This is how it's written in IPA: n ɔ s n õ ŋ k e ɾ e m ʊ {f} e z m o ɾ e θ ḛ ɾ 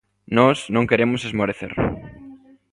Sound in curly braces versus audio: incorrect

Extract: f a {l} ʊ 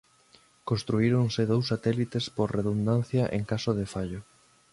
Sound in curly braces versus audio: incorrect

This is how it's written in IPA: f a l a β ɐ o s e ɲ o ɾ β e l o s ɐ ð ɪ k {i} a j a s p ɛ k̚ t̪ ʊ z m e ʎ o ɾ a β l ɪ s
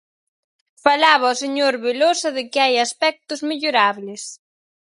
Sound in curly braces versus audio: incorrect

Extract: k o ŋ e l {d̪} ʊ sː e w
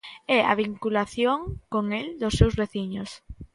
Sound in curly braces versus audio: correct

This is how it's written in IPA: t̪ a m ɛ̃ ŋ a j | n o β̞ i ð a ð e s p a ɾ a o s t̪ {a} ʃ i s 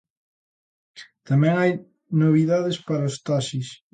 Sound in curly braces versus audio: correct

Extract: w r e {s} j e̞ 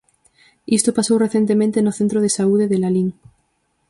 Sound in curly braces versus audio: incorrect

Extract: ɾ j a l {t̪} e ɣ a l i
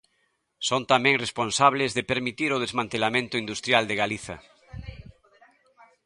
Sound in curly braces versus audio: incorrect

